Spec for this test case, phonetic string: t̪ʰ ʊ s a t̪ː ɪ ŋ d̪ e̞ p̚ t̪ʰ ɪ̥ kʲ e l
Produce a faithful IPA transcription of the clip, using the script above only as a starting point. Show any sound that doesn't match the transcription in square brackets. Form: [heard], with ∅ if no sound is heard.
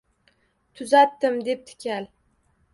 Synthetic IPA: t̪ʰ ʊ [z] a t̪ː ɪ [m] d̪ e̞ p̚ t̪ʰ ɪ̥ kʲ [a] l